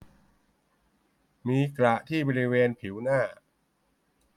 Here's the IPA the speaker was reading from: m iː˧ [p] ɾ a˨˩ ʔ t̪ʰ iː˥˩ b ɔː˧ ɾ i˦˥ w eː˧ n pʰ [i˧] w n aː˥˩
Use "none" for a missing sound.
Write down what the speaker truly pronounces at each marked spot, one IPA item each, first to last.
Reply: k, i˩˦

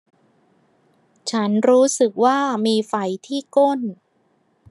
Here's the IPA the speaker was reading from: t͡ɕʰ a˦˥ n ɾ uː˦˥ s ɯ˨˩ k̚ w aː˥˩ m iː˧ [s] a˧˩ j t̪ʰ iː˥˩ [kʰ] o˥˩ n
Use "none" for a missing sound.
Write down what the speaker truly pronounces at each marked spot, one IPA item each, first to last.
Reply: f, k

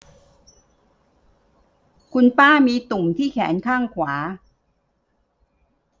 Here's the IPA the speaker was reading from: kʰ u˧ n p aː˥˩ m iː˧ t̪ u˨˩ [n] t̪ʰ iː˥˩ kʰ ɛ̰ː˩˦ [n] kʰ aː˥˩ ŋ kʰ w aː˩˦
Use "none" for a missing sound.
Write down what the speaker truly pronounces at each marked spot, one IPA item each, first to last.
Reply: m, n

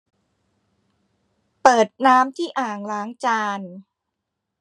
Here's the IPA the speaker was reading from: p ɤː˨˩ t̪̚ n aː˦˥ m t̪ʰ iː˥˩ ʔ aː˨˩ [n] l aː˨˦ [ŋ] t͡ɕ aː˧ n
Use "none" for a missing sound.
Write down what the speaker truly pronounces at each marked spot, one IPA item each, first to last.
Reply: ŋ, ŋ

